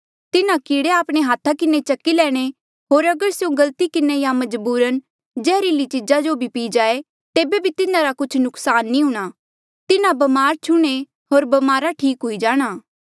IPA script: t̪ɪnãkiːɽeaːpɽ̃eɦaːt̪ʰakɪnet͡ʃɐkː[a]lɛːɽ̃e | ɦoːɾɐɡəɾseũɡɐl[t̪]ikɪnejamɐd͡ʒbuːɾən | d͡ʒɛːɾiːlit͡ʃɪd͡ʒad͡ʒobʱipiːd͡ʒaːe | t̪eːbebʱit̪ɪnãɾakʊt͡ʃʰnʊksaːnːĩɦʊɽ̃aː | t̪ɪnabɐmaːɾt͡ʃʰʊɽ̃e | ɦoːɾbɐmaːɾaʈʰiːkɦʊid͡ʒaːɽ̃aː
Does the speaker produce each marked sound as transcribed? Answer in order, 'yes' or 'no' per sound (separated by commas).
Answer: no, yes